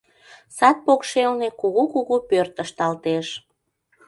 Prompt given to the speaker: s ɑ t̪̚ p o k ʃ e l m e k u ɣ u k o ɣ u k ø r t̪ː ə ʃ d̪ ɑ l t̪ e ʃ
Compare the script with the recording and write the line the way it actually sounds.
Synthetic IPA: s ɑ t̪̚ p o k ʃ e l n e k u ɣ u k u ɣ u p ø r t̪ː ə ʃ t̪ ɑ l t̪ e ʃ